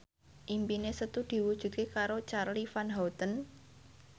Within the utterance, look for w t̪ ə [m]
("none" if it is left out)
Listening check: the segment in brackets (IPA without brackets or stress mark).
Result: n